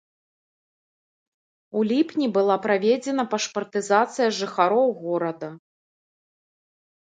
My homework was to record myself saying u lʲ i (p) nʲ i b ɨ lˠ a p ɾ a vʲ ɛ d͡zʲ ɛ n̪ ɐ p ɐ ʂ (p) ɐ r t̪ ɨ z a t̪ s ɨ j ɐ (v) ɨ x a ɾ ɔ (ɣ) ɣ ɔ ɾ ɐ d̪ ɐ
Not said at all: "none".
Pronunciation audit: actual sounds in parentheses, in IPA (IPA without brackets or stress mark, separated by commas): p, p, ʐ, w